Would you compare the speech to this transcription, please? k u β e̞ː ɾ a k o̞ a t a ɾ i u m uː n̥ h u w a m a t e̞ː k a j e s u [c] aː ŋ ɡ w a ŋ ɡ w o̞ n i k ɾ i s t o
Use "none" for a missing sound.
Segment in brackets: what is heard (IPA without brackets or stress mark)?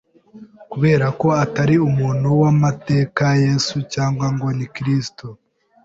c